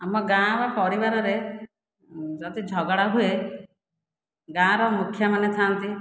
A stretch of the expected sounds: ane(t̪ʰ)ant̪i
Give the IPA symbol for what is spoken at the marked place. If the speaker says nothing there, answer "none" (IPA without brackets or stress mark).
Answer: t̪ʰ